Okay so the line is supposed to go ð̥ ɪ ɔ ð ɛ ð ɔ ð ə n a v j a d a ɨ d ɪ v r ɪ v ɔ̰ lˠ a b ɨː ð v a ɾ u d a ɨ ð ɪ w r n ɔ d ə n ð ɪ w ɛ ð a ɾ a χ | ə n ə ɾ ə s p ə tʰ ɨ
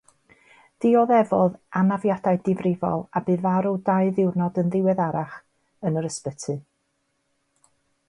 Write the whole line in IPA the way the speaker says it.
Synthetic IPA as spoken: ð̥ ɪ ɔ ð ɛ v ɔ ð a n a v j a d a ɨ d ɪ v r ɪ v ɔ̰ lˠ a b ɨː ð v a ɾ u d a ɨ ð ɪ w r n ɔ d ə n ð ɪ w ɛ ð a ɾ a χ | ə n ə ɾ ə s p ə tʰ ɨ